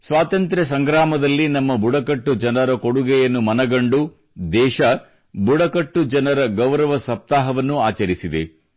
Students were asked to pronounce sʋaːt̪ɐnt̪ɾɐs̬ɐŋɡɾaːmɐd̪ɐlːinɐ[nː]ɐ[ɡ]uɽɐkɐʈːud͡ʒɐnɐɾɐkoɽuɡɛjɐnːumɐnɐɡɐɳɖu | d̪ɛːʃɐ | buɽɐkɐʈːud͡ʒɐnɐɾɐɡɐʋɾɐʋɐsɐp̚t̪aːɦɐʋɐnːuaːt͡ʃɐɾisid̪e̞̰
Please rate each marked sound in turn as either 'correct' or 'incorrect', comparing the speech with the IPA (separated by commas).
incorrect, incorrect